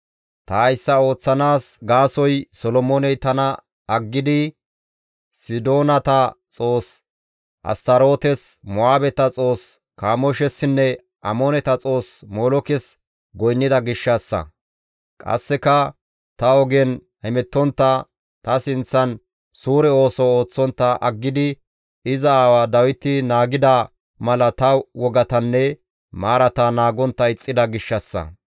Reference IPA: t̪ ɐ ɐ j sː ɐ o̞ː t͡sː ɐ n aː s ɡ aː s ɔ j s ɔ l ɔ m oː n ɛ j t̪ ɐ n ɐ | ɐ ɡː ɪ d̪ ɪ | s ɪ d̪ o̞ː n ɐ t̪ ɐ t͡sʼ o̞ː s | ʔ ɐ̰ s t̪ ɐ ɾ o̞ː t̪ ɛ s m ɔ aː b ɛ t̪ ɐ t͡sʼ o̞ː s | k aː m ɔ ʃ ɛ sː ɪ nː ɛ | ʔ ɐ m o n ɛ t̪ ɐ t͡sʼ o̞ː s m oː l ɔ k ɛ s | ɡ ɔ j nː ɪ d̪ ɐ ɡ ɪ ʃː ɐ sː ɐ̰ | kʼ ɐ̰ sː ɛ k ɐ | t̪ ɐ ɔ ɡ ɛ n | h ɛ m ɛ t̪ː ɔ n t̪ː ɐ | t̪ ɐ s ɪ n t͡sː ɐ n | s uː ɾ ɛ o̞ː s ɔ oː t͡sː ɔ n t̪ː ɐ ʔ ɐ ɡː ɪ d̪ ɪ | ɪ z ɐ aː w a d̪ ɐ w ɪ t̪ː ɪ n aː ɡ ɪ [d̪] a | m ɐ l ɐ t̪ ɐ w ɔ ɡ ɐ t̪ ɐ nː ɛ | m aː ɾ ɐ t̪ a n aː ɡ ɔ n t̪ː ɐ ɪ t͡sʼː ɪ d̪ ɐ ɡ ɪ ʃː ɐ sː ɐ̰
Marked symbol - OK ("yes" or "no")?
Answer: yes